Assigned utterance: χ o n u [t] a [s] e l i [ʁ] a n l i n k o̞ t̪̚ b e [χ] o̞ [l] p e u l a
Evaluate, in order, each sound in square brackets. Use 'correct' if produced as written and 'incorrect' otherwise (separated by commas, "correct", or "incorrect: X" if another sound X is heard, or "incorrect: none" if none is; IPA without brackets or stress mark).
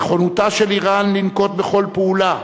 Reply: correct, incorrect: ʃ, correct, correct, correct